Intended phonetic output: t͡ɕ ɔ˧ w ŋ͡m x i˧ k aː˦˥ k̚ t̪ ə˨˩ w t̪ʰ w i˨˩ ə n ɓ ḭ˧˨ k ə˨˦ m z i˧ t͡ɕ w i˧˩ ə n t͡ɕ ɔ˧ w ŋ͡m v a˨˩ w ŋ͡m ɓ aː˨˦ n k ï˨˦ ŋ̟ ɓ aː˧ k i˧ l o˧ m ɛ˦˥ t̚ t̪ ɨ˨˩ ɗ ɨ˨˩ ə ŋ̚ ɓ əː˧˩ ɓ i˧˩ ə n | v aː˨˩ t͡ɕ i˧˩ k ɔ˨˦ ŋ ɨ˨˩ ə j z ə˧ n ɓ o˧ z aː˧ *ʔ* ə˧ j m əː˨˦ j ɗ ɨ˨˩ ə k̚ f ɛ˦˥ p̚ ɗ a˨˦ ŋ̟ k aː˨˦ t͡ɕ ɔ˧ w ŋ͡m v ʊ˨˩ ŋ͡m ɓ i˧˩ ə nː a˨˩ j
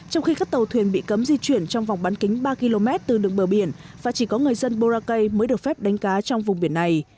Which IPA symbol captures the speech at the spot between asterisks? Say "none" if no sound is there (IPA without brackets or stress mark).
k